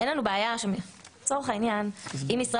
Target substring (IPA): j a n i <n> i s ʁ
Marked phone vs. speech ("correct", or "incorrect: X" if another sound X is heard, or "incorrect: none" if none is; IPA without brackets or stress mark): incorrect: m